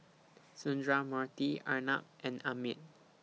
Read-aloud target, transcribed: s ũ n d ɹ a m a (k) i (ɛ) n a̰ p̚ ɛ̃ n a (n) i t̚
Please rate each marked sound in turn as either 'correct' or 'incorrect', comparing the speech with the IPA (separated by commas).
incorrect, incorrect, incorrect